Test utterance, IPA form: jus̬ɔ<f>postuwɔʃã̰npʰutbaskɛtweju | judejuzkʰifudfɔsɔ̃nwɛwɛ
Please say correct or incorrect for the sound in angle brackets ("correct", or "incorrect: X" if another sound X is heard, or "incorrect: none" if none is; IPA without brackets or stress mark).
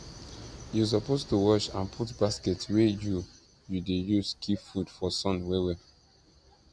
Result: incorrect: none